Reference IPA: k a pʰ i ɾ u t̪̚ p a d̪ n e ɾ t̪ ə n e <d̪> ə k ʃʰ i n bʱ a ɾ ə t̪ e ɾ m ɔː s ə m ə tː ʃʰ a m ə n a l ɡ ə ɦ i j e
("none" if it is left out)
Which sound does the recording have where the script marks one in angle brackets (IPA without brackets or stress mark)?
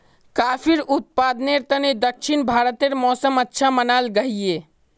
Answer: d̪